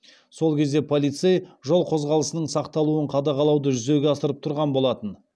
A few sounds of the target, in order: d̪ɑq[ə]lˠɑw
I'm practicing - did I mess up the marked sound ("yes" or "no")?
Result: yes